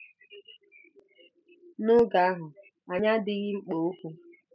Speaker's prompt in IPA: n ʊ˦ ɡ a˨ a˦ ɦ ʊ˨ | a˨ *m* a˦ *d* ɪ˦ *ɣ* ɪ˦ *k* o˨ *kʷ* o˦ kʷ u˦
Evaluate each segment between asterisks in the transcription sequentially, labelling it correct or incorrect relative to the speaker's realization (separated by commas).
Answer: incorrect, correct, correct, incorrect, incorrect